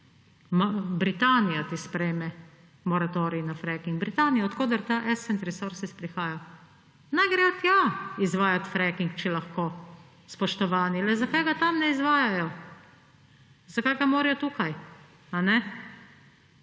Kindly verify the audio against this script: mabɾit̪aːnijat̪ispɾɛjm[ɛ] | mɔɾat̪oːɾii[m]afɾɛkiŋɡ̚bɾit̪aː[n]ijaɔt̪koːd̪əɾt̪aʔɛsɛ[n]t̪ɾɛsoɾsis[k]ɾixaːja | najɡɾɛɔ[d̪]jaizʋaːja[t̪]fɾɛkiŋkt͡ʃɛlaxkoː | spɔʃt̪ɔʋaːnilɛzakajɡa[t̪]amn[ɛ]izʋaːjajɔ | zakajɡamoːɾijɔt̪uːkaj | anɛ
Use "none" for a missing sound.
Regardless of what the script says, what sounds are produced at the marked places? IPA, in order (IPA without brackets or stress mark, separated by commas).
ɛ, n, n, n, p, t̪, t̪, t̪, ɛ